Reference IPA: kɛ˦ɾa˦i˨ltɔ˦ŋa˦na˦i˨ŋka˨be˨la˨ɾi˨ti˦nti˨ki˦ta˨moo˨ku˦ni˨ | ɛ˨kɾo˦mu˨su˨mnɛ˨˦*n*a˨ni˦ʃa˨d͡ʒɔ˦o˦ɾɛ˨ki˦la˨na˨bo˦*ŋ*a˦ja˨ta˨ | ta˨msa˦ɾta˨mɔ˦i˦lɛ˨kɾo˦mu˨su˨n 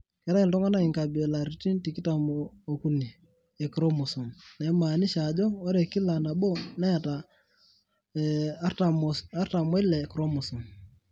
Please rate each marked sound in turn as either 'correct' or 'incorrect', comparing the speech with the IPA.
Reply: incorrect, incorrect

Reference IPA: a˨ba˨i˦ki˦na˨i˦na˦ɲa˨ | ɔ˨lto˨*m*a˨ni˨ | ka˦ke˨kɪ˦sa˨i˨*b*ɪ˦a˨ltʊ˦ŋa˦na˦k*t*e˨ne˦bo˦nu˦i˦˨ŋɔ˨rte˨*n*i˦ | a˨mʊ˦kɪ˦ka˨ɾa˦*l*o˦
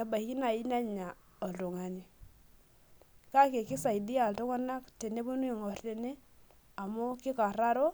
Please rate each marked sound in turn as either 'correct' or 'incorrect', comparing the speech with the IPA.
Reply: incorrect, incorrect, correct, correct, incorrect

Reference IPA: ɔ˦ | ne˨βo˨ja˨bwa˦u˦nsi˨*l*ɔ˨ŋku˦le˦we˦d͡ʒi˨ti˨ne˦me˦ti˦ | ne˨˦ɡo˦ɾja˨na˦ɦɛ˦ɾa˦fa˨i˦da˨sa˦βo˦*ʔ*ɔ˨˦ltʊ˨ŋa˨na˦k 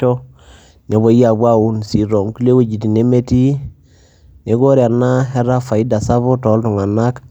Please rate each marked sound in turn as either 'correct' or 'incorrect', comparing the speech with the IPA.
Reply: incorrect, incorrect

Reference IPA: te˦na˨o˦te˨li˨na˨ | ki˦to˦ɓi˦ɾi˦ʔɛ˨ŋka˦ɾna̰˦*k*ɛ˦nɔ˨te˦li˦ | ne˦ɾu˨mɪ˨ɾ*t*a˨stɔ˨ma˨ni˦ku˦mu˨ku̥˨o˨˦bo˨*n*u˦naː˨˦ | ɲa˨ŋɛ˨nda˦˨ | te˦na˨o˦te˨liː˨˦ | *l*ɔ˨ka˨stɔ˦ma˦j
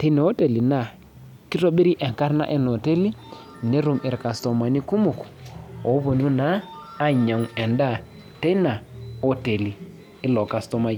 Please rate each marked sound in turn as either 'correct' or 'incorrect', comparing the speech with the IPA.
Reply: incorrect, incorrect, correct, correct

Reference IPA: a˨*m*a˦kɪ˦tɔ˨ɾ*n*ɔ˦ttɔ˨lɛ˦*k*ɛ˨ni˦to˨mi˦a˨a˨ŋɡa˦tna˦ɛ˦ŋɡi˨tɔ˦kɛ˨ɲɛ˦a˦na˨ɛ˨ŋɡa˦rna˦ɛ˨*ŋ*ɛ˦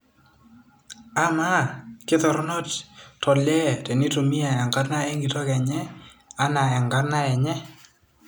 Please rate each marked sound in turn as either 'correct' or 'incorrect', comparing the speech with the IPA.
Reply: correct, correct, incorrect, incorrect

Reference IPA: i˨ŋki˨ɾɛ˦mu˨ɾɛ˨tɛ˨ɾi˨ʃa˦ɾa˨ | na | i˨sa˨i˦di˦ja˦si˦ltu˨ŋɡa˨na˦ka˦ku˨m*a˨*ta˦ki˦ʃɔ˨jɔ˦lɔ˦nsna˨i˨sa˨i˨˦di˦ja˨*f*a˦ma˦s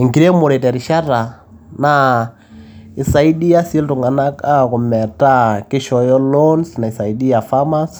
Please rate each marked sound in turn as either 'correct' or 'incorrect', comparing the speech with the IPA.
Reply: incorrect, correct

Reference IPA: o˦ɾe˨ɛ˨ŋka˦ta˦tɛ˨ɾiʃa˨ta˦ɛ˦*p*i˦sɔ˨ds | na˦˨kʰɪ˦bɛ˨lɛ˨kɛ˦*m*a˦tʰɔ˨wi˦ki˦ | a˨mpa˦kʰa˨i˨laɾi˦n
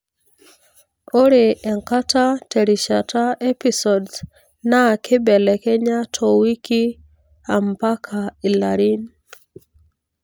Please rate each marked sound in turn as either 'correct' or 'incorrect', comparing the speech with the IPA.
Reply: correct, incorrect

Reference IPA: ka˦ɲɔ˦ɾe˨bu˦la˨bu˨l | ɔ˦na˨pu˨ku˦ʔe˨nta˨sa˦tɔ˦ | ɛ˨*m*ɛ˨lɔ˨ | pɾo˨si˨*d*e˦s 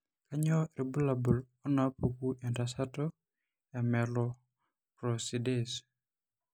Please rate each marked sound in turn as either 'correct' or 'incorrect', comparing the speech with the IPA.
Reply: correct, correct

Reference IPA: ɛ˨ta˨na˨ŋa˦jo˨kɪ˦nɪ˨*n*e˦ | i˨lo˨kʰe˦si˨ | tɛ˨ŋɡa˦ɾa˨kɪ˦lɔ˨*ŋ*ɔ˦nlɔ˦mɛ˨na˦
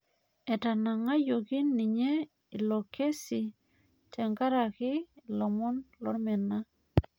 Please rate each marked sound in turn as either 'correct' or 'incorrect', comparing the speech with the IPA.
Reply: incorrect, incorrect

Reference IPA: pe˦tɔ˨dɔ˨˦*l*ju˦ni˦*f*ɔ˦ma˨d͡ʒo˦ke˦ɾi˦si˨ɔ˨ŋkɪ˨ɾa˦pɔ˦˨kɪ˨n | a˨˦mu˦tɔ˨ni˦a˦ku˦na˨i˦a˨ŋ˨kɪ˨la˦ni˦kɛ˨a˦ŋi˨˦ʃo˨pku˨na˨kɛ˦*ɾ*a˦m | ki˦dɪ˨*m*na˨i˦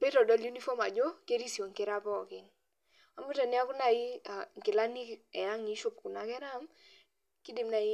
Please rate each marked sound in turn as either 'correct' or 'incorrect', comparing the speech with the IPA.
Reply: correct, correct, correct, correct

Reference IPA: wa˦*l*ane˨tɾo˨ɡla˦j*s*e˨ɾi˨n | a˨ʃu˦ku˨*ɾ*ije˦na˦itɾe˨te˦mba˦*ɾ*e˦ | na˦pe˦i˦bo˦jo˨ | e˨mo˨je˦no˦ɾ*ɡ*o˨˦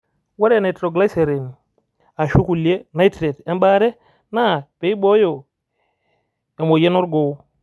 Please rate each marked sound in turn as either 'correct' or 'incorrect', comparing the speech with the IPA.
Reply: incorrect, correct, incorrect, correct, correct

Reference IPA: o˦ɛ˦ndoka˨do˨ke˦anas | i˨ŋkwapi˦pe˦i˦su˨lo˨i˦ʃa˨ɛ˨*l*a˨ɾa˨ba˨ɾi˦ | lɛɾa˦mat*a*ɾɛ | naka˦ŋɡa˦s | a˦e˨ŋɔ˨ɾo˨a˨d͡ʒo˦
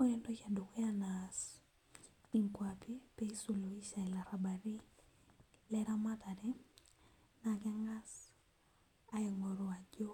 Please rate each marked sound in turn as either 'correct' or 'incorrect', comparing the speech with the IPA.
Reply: correct, correct

